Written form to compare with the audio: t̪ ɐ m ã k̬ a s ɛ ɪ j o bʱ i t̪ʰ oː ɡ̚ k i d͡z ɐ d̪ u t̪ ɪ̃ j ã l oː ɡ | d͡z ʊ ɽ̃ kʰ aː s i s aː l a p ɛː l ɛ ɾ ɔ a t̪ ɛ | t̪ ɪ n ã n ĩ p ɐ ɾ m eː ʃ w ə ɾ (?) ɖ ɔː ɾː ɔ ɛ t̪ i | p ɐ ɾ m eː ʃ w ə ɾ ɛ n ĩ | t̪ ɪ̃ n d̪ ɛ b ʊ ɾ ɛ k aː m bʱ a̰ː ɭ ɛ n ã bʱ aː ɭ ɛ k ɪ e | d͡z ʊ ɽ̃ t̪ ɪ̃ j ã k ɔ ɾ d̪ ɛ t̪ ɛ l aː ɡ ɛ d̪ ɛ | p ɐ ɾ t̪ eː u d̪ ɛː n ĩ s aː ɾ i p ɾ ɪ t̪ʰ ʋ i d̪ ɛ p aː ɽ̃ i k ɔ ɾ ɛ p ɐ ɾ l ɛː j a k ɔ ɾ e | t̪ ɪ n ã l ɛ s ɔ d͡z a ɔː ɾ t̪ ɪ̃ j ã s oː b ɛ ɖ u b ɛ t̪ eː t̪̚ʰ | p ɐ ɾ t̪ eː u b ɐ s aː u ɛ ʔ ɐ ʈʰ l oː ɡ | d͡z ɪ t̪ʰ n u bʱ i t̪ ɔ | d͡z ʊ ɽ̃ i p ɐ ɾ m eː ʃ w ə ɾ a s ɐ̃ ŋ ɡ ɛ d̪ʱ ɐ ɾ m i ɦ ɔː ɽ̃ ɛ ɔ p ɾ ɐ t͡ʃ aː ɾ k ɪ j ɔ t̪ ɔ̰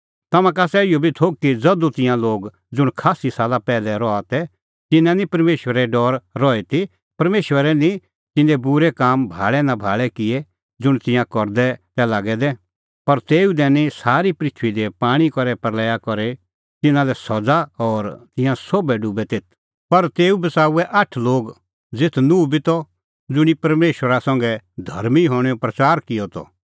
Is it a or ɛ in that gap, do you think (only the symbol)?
ɛ